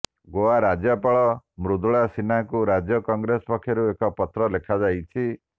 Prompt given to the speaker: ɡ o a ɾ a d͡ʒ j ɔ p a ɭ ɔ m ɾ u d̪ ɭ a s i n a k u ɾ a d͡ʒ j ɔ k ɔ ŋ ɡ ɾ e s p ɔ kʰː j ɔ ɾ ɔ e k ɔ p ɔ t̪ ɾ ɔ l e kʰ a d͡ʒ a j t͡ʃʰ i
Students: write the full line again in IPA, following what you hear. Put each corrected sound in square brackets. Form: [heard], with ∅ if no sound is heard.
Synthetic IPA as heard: ɡ o a ɾ a d͡ʒ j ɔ p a ɭ ɔ m ɾ u d̪ ɭ a s i n a k u ɾ a d͡ʒ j ɔ k ɔ ŋ ɡ ɾ e s p ɔ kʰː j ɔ ɾ [u] e k ɔ p ɔ t̪ ɾ ɔ l e kʰ a d͡ʒ a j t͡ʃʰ i